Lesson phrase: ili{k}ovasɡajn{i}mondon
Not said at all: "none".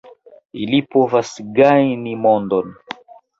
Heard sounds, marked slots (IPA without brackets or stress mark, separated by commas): p, i